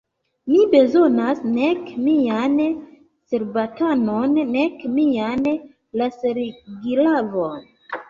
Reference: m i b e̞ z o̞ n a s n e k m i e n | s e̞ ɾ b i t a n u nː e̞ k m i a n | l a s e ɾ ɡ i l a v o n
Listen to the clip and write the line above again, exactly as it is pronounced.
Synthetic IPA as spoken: m i b e̞ z o̞ n a s n e k m i a n | s e̞ ɾ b a t a n o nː e̞ k m i a n | l a s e ɾ ɡ i l a v o n